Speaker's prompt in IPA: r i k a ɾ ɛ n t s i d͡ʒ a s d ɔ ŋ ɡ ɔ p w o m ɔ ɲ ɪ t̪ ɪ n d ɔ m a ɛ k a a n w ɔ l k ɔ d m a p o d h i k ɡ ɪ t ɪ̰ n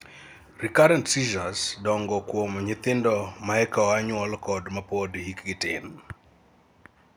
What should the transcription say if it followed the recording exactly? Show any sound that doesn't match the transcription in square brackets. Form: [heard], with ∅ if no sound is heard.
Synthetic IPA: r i k a ɾ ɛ n t s i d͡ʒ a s d ɔ ŋ ɡ ɔ [k] w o m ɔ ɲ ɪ t̪ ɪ n d ɔ m a ɛ k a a [ɲ] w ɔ l k ɔ d m a p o d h i k ɡ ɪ t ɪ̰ n

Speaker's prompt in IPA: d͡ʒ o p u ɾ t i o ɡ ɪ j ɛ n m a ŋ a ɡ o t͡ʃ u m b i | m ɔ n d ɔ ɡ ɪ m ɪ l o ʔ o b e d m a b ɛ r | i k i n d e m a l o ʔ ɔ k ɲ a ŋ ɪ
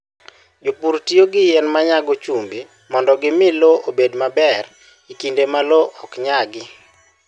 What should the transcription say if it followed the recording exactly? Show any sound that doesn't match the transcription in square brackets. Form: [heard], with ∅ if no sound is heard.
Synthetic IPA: d͡ʒ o p u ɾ t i o ɡ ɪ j ɛ n m a [ɲ] a ɡ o t͡ʃ u m b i | m ɔ n d ɔ ɡ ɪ m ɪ l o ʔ o b e d m a b ɛ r | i k i n d e m a l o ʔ ɔ k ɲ a [ɡ] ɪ

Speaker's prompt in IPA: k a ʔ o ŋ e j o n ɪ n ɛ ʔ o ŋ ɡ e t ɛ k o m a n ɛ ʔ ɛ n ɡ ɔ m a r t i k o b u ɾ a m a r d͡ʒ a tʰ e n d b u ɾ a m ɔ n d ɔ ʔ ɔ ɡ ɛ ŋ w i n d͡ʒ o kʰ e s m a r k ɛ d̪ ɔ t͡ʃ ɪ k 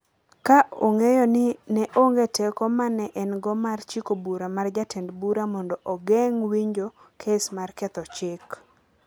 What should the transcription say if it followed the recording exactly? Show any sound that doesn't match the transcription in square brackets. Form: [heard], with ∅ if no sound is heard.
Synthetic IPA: k a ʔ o ŋ e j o n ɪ n ɛ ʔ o ŋ ɡ e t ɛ k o m a n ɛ ʔ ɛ n ɡ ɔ m a r [t͡ʃ] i k o b u ɾ a m a r d͡ʒ a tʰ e n d b u ɾ a m ɔ n d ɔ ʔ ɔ ɡ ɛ ŋ w i [ɲ] d͡ʒ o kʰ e s m a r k ɛ [t̪] ɔ t͡ʃ ɪ k

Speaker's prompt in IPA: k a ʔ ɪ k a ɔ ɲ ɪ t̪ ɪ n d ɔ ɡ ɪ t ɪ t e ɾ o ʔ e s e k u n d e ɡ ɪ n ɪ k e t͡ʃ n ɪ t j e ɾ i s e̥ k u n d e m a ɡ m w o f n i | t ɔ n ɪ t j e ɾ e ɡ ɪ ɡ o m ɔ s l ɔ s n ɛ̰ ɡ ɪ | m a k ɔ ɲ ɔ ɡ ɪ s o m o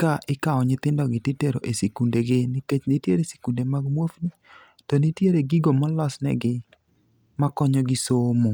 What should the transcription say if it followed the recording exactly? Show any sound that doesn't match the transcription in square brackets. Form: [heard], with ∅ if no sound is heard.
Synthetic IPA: k a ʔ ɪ k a ɔ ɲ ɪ t̪ ɪ n d ɔ ɡ ɪ t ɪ t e ɾ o ʔ e s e k u n d e ɡ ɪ n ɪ k e t͡ʃ n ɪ t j e ɾ [e] s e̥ k u n d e m a ɡ m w o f n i | t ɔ n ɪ t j e ɾ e ɡ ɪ ɡ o m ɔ [∅] l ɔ s n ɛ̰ ɡ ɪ | m a k ɔ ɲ ɔ ɡ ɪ s o m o

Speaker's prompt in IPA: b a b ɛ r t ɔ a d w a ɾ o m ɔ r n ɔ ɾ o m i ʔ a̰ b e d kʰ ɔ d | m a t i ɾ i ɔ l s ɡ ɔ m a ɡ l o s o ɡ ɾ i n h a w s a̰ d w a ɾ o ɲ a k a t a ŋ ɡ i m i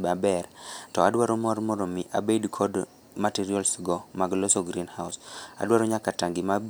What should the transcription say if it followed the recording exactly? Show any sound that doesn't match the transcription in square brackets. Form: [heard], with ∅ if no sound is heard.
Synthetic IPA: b a b ɛ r t ɔ a d w a ɾ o m ɔ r [m] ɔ ɾ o m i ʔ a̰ b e d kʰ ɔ d | m a t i ɾ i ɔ l s ɡ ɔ m a ɡ l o s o ɡ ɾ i n h a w s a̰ d w a ɾ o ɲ a k a t a ŋ ɡ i m [a]

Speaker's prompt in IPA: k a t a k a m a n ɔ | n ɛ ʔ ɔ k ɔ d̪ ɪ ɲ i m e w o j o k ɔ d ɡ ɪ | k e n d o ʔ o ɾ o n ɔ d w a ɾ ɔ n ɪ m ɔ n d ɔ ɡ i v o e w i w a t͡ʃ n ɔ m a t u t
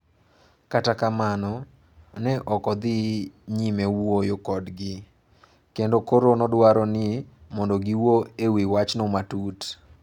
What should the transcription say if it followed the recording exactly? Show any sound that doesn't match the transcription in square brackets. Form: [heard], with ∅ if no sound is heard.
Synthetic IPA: k a t a k a m a n ɔ | n ɛ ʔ ɔ k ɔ d̪ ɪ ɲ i m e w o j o k ɔ d ɡ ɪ | k e n d o [k] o ɾ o n ɔ d w a ɾ ɔ n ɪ m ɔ n d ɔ ɡ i [w] o e w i w a t͡ʃ n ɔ m a t u t

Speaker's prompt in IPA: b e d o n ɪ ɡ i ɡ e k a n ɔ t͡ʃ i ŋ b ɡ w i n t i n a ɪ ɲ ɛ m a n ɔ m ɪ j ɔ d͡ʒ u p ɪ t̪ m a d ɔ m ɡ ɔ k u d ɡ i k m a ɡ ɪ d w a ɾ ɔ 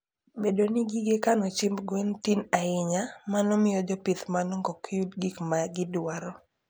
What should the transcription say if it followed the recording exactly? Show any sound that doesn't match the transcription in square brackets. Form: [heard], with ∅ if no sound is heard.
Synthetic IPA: b e d o n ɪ ɡ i ɡ e k a n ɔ t͡ʃ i [m] b ɡ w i n t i n a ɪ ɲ [a] m a n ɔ m ɪ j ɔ d͡ʒ [ɔ] p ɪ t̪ m a [n] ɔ [ŋ] ɡ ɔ k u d ɡ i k m a ɡ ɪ d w a ɾ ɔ

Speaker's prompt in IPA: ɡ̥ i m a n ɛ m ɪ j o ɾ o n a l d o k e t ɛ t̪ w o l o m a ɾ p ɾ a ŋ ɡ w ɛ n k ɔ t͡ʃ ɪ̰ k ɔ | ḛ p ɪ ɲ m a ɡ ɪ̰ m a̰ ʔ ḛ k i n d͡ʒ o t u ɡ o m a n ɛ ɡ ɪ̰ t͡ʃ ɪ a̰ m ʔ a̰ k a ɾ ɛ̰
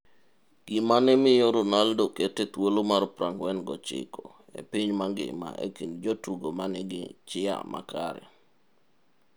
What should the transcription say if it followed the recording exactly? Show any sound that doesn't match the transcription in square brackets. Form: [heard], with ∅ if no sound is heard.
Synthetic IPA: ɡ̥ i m a n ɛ m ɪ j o ɾ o n a l d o k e t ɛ t̪ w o l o m a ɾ p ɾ a ŋ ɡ w ɛ n [ɡ] ɔ t͡ʃ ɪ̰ k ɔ | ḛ p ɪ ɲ m a ɡ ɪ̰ m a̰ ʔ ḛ k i n d͡ʒ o t u ɡ o m a n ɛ ɡ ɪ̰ t͡ʃ ɪ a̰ m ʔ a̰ k a ɾ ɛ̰

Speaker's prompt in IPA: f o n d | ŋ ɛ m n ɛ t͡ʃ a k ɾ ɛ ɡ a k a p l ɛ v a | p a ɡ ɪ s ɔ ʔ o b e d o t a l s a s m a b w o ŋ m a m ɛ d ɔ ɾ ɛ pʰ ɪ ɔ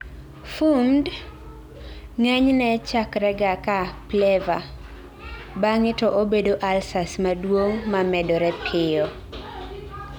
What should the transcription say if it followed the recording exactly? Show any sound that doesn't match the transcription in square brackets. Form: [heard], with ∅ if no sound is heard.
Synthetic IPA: f [u] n d | ŋ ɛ [ɲ] n ɛ t͡ʃ a k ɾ ɛ ɡ a k a p l ɛ v a | [b] a [ŋ] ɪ [t] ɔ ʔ o b e d o [ʔ] a l s a s m a [d] w o ŋ m a m ɛ d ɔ ɾ ɛ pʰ ɪ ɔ

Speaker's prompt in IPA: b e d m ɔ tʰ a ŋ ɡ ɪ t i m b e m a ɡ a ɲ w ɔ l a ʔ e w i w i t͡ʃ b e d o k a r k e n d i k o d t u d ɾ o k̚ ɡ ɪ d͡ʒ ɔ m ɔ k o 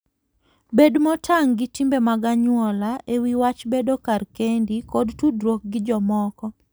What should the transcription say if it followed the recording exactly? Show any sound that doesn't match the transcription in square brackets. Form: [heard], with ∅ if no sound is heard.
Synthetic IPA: b e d m ɔ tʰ a ŋ ɡ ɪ t i m b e m a ɡ a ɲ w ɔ l a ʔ e w i w [a] t͡ʃ b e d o k a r k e n d i k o d t u d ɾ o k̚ ɡ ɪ d͡ʒ ɔ m ɔ k [ɔ]

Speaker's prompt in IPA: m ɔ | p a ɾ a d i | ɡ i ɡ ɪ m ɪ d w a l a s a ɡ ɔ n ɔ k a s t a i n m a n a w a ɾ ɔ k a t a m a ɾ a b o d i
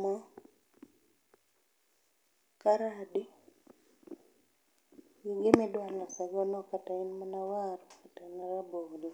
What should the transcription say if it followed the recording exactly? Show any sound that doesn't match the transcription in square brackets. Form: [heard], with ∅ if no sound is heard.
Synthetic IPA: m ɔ | [k] a ɾ a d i | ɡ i ɡ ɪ m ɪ d w a l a s a ɡ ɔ n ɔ k a [∅] t a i n m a n a w a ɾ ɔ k a t a [n] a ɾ a b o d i

